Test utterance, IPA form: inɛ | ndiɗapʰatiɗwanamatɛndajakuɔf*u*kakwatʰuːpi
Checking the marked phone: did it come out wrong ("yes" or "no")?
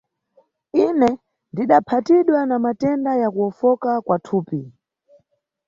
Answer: yes